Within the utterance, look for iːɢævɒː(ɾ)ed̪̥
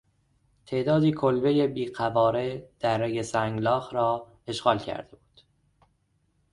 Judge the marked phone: correct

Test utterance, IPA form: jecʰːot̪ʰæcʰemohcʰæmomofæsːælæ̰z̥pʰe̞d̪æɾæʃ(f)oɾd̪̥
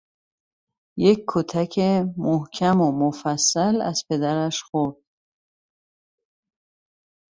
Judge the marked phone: incorrect: x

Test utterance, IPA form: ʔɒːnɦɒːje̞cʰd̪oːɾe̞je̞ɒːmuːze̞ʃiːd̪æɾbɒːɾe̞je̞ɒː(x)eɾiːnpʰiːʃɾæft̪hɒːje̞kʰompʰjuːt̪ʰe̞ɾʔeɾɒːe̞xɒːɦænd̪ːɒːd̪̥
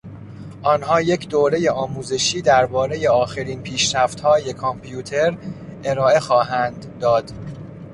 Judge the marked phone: correct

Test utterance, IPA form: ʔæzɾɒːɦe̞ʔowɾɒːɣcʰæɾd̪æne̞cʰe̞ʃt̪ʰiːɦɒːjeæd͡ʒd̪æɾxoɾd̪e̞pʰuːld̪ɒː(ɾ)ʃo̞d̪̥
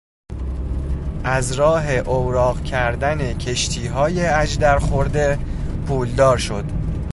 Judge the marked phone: correct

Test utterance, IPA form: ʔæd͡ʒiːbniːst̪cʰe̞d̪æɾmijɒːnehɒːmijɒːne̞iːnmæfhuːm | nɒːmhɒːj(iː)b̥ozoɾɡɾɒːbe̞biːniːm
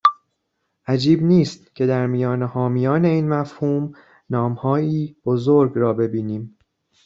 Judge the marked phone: correct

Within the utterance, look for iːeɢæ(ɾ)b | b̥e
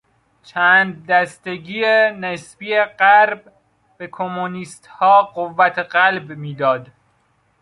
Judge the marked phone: correct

